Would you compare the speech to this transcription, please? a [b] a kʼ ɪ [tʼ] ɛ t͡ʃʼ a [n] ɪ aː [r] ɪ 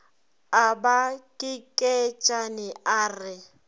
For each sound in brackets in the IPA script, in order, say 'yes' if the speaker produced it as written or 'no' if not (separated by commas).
yes, no, yes, yes